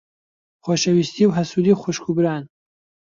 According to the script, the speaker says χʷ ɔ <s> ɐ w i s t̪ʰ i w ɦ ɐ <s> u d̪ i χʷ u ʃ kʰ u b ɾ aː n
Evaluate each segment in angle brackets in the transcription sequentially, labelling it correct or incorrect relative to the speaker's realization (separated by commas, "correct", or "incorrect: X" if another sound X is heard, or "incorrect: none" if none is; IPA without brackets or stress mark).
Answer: incorrect: ʃ, correct